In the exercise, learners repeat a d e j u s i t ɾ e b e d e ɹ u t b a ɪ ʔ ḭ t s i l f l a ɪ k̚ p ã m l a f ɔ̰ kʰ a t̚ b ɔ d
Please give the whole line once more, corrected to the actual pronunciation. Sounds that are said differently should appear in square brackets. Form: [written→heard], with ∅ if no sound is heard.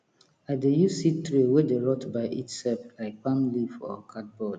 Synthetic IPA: a d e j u s i t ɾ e [b→w] e d e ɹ [u→ɔ] t b a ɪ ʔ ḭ t s [i→ɛ] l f l a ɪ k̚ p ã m l [a→i] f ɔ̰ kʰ a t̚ b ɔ d